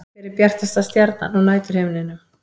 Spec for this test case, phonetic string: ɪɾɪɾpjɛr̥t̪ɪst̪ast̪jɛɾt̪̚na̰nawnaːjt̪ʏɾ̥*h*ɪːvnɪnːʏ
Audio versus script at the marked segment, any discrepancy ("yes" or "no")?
no